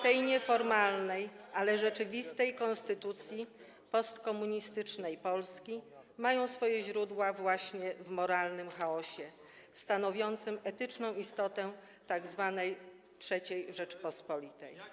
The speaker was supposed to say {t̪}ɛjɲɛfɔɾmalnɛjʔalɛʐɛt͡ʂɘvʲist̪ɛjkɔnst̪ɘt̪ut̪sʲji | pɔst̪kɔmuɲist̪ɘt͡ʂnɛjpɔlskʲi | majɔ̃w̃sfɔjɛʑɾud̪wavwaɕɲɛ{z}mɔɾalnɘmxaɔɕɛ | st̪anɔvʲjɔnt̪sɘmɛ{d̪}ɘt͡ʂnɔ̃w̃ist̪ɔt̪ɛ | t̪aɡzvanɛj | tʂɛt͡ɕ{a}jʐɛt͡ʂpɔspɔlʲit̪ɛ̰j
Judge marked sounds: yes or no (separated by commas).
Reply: yes, no, no, no